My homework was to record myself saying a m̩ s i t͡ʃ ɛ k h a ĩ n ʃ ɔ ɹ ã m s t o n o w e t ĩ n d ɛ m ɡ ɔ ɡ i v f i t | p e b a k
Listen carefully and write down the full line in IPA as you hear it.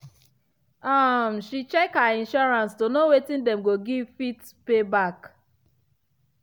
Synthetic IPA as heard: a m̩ ʃ i t͡ʃ ɛ k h a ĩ n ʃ ɔ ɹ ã n s t o n o w e t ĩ n d ɛ m ɡ o ɡ i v f i t | p e b a k

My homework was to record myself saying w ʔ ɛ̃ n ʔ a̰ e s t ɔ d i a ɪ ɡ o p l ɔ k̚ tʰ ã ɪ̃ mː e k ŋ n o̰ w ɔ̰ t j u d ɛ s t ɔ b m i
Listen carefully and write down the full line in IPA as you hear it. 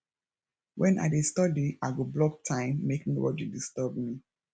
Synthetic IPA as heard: w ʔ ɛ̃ n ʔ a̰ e s t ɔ d i a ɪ ɡ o b l ɔ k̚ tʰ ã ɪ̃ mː e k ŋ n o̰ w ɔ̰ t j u d i s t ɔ b m i

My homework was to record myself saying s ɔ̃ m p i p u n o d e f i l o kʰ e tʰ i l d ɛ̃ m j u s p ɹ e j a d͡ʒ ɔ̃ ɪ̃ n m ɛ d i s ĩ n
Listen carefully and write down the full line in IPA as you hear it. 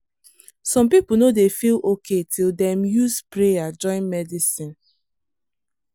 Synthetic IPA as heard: s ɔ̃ m p i p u n o d e f i l o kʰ e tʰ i l d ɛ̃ m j u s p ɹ e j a d͡ʒ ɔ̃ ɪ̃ n m ɛ d i s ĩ n

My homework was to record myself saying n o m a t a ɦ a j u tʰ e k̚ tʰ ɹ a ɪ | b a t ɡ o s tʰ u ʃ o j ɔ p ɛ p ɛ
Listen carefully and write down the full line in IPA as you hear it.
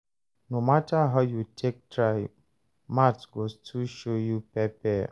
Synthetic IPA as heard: n o m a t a ɦ a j u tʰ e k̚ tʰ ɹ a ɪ | m a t ɡ o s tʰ u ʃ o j u p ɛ p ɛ

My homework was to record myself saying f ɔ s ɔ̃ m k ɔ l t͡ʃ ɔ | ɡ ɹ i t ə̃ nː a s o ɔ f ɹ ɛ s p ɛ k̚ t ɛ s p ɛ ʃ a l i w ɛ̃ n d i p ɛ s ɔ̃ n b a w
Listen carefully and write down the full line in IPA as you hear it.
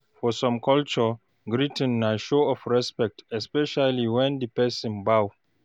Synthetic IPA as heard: f ɔ s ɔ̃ m k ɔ l t͡ʃ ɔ | ɡ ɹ i t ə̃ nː a ʃ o ɔ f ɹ ɛ s p ɛ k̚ t ɛ s p ɛ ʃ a l i w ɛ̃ n d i p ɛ s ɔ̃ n b a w

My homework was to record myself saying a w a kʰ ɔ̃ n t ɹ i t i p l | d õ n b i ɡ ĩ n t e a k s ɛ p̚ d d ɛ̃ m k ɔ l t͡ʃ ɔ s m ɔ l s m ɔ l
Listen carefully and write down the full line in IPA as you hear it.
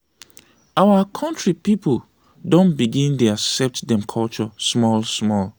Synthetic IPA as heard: a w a kʰ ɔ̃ n t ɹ i p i p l | d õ n b i ɡ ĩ n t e a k s ɛ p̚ t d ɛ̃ m kʰ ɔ l t͡ʃ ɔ s m ɔ l s m ɔ l

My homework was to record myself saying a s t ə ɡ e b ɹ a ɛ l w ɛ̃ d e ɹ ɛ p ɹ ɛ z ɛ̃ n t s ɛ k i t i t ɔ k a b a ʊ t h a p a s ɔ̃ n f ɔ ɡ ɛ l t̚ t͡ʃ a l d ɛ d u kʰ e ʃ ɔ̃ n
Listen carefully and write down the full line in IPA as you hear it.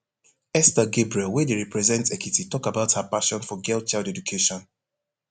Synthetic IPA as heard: ɛ s t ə ɡ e b ɹ i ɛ l w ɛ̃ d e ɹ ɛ p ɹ ɛ z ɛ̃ n t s ɛ k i t i t ɔ k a b a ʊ t h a p a ʃ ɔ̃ n f ɔ ɡ ɛ l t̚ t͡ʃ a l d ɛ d u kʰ e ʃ ɔ̃ n

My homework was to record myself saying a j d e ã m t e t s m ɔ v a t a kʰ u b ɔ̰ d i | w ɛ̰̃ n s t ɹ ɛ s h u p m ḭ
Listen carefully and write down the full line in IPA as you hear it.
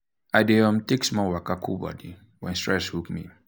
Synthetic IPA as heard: a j d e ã m t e k s m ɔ w a k a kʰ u b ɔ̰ d i | w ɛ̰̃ n s t ɹ ɛ s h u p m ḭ

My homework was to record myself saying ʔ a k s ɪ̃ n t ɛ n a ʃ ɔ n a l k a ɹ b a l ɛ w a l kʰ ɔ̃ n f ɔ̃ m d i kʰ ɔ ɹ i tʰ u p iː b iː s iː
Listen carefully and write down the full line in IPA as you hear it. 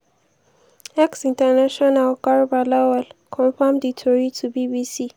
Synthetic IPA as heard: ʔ ɛ k s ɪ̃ n t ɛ n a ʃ ɔ n a l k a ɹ b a l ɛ w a l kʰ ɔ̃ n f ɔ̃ m d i tʰ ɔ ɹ i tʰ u b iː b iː s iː

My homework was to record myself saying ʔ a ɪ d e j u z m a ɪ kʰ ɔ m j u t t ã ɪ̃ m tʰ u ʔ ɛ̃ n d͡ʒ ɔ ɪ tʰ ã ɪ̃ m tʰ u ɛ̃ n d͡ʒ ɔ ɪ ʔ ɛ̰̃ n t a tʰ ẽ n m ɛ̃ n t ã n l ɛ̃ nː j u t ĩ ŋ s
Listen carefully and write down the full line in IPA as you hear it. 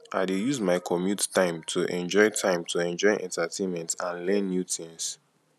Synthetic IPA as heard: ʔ a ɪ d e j u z m a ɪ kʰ ɔ m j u t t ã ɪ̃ m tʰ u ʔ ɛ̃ n d͡ʒ ɔ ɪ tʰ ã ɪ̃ m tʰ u ɛ̃ n d͡ʒ ɔ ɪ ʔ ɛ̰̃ n t a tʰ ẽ n m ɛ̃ n t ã n l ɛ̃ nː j u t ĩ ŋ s

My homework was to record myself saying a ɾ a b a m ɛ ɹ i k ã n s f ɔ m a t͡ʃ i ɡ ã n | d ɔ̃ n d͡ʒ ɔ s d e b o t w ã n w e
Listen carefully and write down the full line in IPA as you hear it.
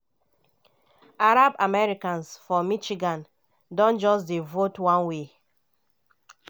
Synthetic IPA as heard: a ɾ a b a m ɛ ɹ i k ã n s f ɔ m i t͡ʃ i ɡ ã n | d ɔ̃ n d͡ʒ ɔ s d e v o t w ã n w e

